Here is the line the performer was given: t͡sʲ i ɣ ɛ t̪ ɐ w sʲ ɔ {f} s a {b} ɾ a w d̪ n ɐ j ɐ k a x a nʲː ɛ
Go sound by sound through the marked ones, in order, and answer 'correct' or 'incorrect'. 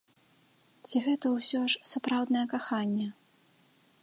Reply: incorrect, incorrect

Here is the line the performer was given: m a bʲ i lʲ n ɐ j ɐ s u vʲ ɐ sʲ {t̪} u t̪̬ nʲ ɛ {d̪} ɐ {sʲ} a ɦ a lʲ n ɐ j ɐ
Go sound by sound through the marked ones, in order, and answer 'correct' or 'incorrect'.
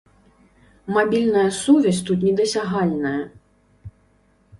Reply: correct, correct, correct

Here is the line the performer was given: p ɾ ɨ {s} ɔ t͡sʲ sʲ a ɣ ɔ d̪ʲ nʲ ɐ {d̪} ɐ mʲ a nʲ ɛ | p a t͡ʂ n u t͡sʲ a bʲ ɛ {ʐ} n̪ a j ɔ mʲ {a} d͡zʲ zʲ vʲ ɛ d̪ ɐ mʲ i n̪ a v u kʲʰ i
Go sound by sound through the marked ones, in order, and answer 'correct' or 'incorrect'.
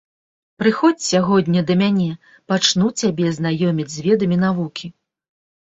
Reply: incorrect, correct, incorrect, incorrect

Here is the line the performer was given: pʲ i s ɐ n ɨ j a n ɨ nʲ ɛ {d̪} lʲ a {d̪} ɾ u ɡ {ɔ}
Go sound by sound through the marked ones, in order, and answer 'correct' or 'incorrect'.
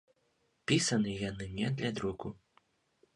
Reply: correct, correct, incorrect

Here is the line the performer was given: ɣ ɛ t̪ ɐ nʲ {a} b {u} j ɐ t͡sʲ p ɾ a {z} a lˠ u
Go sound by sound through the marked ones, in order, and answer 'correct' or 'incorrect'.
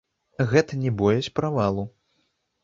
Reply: incorrect, incorrect, incorrect

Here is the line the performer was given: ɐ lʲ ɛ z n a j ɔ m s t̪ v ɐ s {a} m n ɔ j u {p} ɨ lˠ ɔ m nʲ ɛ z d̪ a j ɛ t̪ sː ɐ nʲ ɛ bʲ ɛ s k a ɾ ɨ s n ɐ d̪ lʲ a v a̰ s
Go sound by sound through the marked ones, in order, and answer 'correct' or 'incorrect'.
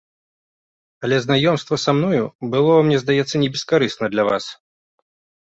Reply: correct, incorrect

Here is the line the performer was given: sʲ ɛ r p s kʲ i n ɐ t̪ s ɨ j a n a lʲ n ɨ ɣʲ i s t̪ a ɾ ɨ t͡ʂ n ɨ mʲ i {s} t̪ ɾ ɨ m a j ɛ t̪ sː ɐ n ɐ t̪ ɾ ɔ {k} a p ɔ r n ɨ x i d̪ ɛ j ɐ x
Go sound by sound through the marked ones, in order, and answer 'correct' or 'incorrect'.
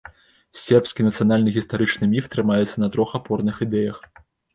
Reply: incorrect, incorrect

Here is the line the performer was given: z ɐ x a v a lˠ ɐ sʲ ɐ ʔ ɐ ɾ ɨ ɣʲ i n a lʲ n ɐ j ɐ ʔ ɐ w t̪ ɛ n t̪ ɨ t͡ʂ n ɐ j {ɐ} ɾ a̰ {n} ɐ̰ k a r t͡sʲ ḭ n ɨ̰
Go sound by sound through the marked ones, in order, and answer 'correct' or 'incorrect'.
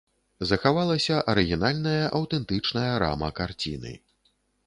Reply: correct, incorrect

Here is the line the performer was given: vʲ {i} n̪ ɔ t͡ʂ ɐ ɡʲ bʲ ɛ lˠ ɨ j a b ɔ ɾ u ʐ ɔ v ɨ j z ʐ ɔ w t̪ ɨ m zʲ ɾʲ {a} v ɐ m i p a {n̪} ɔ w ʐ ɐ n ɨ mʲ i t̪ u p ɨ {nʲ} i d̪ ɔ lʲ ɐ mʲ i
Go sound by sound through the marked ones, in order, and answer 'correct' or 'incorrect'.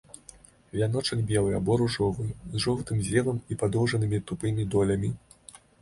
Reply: incorrect, incorrect, incorrect, incorrect

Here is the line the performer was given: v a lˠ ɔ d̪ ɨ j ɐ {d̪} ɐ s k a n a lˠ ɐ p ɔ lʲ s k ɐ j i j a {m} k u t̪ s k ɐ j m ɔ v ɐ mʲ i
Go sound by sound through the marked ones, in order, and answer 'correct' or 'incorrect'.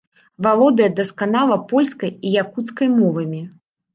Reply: correct, incorrect

